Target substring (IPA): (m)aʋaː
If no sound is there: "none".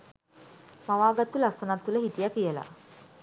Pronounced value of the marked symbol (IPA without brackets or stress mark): m